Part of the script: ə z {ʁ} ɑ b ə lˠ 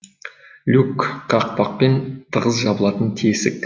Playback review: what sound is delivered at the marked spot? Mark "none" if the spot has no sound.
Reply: ʒ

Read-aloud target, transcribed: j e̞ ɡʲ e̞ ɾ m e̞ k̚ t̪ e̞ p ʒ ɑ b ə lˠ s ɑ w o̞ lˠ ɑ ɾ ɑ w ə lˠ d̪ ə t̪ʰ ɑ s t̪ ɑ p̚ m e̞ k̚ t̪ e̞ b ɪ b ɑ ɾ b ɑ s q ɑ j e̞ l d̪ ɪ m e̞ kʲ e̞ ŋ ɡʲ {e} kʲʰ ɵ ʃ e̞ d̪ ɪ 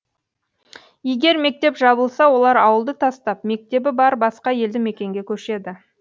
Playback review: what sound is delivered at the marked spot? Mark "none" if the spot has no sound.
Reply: e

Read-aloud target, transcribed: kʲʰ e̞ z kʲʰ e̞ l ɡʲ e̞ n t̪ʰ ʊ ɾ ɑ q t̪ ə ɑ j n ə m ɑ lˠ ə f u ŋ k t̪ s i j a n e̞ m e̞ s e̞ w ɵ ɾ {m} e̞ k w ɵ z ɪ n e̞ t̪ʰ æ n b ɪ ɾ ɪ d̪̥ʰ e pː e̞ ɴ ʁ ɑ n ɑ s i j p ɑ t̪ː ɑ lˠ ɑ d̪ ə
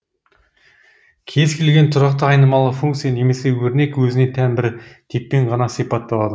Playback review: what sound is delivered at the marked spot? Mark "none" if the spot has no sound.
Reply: n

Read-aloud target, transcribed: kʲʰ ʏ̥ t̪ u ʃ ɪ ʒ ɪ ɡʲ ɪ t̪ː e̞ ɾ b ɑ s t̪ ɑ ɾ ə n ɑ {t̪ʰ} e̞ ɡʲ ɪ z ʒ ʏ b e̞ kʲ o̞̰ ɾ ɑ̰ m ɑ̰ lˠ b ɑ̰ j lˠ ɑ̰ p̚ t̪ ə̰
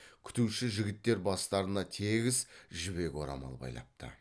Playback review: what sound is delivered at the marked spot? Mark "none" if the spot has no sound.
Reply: t̪ʰ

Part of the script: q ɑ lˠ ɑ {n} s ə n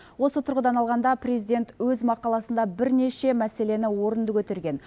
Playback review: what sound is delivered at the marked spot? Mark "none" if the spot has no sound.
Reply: none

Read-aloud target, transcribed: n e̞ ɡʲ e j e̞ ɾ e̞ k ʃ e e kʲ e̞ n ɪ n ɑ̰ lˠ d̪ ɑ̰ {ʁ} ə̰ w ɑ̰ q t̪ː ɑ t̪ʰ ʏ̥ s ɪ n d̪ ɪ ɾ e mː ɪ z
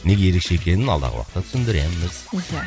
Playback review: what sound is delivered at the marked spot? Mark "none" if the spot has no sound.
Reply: ʁ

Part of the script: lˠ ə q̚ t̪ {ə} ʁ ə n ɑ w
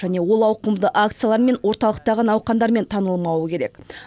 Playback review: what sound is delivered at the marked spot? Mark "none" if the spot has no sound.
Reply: ɑ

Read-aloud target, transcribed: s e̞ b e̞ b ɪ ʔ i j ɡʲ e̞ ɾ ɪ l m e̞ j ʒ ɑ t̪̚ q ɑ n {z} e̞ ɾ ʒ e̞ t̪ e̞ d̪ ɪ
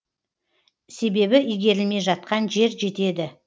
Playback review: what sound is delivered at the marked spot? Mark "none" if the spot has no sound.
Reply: ʒ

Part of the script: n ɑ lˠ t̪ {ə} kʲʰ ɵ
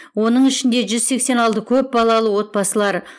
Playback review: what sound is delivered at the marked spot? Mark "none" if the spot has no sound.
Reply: ə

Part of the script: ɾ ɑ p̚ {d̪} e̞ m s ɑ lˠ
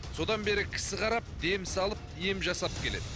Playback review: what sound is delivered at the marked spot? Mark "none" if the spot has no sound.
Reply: d̪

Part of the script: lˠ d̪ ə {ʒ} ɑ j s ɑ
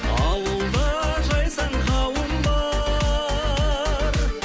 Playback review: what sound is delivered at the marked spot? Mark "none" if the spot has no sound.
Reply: ʒ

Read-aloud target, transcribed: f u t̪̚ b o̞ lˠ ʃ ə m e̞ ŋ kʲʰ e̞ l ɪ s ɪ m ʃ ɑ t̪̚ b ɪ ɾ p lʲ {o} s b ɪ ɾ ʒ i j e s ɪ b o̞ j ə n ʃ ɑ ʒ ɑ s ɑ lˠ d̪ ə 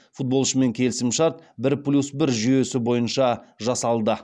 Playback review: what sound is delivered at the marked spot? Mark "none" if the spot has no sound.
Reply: u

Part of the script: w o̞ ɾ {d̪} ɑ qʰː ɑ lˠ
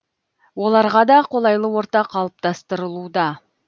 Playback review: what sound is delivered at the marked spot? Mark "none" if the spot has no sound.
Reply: t̪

